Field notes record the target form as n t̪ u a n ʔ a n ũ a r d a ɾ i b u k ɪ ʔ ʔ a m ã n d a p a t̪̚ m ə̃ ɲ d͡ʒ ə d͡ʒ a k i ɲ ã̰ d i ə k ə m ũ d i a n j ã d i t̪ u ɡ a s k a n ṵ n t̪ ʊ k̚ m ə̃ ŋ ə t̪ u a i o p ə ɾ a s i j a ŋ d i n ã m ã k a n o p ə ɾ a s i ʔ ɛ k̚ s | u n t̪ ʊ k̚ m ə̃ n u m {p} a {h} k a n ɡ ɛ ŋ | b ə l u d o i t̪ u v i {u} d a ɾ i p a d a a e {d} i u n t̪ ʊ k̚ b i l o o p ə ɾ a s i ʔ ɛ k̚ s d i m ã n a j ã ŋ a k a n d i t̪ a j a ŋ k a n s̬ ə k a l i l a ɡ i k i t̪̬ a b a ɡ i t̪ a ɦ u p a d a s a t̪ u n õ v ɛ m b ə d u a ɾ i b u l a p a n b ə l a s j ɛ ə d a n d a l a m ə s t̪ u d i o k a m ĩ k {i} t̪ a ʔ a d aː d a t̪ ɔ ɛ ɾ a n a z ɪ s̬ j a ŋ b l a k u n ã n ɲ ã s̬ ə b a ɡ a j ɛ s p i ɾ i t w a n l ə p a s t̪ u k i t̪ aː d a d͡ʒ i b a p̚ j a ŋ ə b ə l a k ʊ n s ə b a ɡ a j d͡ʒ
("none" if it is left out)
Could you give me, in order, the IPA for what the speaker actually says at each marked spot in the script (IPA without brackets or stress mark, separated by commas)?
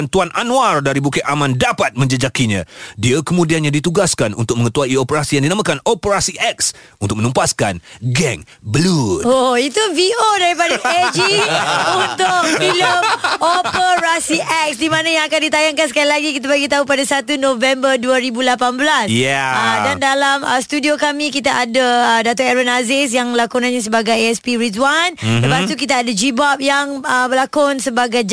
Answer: p, s, o, d͡ʒ, i